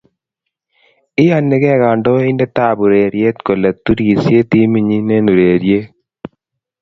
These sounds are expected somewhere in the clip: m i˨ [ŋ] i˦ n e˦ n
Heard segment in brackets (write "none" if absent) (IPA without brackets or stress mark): ɲ